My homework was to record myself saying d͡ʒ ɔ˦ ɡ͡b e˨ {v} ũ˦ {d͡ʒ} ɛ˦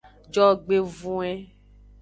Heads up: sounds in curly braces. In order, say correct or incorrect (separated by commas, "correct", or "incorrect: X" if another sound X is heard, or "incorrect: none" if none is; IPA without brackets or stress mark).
correct, incorrect: none